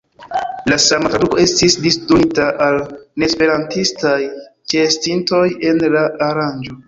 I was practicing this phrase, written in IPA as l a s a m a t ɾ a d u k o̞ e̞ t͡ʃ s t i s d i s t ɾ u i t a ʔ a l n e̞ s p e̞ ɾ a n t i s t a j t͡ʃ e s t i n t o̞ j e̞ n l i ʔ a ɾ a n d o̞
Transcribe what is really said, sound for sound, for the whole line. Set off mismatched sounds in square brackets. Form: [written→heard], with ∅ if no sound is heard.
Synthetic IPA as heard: l a s a m a t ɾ a d u k o̞ e̞ [t͡ʃ→∅] s t i s d i s t ɾ u i t a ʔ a l n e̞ s p e̞ ɾ a n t i s t a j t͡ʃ e s t i n t o̞ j e̞ n l [i→a] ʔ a ɾ a n [d→d͡ʒ] o̞